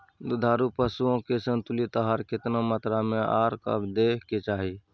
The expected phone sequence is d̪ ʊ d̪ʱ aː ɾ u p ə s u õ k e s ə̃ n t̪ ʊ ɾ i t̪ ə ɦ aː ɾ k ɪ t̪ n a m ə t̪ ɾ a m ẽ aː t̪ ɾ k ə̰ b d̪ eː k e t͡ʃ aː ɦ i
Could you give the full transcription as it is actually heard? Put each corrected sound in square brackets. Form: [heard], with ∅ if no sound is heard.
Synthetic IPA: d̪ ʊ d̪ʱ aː ɾ u p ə s u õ k e s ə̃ n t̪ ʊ [l] i t̪ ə ɦ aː ɾ k ɪ t̪ n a m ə t̪ ɾ a m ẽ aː [∅] ɾ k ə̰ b d̪ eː k e t͡ʃ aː ɦ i